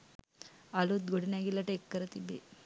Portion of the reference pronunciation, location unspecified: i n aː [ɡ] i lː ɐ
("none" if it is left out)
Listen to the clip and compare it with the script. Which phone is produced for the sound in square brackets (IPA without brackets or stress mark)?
ɡ